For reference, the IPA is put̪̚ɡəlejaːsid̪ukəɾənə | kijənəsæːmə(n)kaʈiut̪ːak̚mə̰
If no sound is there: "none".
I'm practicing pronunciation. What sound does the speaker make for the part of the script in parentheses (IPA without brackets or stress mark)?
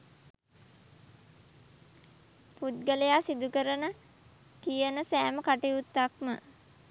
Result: none